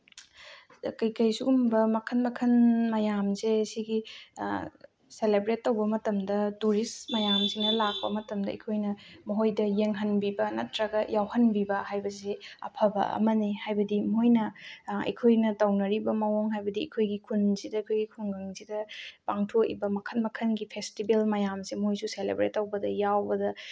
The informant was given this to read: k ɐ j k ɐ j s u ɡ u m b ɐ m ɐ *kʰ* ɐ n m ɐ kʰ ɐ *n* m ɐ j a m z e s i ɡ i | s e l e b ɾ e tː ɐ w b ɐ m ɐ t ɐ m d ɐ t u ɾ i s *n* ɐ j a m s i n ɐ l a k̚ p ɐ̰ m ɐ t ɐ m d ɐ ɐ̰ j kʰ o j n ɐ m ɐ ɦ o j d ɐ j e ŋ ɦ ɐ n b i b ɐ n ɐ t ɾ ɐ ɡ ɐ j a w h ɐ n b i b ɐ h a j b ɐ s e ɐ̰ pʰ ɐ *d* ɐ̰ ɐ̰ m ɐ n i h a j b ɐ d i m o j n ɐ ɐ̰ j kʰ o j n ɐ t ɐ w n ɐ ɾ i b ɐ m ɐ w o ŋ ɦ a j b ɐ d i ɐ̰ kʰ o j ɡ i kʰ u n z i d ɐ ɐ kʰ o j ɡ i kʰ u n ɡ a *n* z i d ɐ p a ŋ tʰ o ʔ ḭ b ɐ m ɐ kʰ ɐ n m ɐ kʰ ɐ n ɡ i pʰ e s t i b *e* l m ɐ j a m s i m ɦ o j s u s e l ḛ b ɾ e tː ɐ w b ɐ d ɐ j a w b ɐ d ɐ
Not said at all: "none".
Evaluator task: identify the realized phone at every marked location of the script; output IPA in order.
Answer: kʰ, n, m, b, ŋ, e

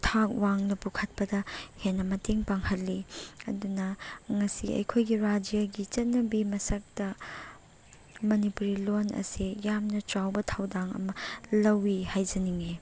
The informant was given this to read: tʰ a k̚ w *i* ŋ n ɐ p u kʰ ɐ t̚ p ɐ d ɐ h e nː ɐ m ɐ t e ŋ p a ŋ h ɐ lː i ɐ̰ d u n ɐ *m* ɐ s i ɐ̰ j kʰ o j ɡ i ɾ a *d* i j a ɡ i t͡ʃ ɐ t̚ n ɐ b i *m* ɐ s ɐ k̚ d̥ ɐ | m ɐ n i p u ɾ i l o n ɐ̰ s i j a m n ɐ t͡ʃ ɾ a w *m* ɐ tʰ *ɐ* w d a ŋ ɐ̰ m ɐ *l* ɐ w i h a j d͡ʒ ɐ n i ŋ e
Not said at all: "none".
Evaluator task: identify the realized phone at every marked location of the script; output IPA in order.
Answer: a, ŋ, d͡ʒ, m, b, a, l

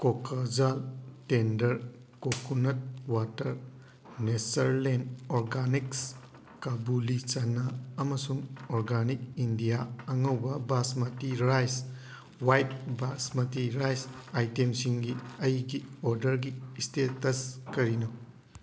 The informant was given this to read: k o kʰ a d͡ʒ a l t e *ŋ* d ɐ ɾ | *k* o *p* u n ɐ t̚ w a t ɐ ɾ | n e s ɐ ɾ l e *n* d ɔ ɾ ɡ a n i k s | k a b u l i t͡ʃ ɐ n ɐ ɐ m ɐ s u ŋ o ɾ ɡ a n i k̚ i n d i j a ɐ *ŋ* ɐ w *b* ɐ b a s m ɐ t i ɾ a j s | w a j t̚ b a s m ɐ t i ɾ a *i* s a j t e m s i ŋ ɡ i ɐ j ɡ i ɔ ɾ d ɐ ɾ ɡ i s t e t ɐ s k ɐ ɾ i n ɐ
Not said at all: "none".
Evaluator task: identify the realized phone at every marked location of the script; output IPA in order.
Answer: n, k, k, n, ŋ, b, j

